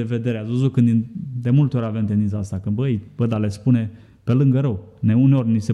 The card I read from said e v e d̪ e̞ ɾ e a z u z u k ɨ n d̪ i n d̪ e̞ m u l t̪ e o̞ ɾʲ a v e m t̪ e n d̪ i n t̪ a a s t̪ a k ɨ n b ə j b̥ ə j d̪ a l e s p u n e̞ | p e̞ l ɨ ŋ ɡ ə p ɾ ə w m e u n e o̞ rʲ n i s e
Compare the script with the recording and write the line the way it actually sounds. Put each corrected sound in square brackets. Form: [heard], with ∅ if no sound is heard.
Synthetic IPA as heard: e v e d̪ e̞ ɾ e a z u z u k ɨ n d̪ i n d̪ e̞ m u l t̪ e o̞ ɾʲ a v e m t̪ e n d̪ i n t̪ a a s t̪ a k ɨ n b ə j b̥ ə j d̪ a l e s p u n e̞ | p e̞ l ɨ ŋ ɡ ə [∅] ɾ ə w [n] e u n e o̞ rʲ n i s e